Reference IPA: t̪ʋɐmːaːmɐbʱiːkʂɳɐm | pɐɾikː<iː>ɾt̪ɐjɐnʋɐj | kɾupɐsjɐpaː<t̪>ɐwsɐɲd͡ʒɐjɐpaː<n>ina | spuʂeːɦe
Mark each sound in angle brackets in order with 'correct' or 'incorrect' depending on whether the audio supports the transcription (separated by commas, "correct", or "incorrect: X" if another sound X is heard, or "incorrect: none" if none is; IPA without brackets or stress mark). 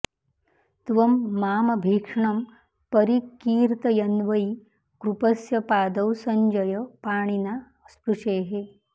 correct, incorrect: d̪, incorrect: ɳ